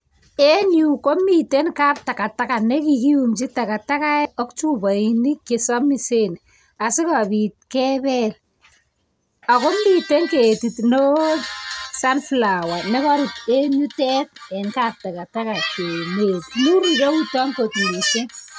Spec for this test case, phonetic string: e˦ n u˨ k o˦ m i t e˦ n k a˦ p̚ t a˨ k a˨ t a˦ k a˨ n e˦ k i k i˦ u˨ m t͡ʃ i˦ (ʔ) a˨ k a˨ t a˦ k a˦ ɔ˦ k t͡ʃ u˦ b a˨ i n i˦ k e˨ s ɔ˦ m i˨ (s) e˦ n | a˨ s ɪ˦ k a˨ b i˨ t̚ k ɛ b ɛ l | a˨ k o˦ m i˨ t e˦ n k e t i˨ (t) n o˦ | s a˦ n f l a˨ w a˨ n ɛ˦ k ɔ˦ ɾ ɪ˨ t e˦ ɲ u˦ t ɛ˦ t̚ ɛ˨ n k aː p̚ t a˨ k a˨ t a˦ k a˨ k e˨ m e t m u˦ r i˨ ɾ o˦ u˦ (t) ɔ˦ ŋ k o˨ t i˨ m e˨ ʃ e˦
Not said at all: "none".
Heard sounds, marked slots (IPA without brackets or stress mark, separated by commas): t, s, t, t